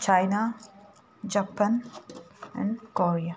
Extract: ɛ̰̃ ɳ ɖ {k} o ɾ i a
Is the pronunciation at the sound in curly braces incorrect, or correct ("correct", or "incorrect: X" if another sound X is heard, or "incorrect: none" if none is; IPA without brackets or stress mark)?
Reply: correct